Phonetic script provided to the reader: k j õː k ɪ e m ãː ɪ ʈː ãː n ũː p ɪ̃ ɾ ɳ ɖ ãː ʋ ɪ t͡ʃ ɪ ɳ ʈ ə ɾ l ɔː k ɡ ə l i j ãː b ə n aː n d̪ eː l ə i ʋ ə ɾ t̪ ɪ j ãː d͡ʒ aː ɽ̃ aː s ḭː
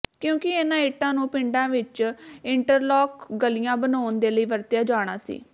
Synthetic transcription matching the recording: k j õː k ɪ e n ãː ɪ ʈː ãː n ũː p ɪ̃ ɳ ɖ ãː ʋ ɪ t͡ʃ ɪ ɳ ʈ ə ɾ l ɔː k ɡ ə l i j ãː b ə n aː n d̪ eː l ə iː ʋ ə ɾ t̪ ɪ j aː d͡ʒ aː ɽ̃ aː s ḭː